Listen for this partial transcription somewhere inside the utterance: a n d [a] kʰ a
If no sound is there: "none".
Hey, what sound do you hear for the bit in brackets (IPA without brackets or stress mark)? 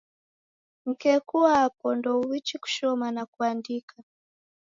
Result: i